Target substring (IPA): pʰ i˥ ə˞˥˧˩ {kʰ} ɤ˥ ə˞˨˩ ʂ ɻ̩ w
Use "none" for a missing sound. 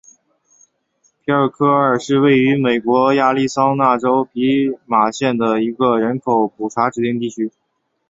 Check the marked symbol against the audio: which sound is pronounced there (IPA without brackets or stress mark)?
kʰ